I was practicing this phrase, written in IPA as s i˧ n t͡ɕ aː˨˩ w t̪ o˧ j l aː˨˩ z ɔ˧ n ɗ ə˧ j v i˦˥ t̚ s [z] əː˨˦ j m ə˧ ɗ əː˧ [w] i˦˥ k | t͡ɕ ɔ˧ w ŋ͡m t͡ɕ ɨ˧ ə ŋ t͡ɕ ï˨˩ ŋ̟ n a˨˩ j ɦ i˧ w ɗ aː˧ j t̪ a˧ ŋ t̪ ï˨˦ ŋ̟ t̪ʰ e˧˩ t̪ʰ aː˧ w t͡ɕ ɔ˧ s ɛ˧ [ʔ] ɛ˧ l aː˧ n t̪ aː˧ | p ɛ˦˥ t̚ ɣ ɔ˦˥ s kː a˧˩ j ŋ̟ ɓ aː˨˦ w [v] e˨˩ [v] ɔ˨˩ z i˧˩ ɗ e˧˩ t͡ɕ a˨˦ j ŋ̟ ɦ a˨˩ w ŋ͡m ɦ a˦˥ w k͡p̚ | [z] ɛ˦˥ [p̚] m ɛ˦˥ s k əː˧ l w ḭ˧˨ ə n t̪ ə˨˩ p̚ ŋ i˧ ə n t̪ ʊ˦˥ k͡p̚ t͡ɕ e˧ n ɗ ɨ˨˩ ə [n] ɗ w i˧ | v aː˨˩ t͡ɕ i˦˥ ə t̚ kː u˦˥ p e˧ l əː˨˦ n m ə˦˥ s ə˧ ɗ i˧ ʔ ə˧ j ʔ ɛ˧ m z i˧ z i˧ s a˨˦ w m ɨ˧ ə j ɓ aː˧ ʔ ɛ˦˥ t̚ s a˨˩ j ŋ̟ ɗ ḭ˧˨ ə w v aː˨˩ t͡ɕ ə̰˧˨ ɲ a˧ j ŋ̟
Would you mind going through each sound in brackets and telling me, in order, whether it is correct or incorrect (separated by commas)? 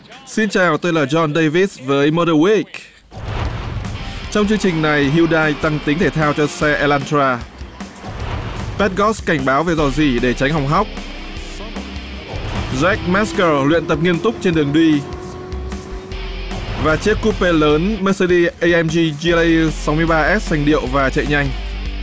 incorrect, correct, correct, correct, incorrect, correct, incorrect, incorrect